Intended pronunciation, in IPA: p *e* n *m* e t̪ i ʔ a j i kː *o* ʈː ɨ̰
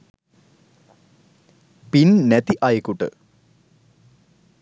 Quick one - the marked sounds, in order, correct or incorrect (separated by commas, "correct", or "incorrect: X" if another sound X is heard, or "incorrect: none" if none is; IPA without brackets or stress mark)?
incorrect: i, incorrect: n, incorrect: u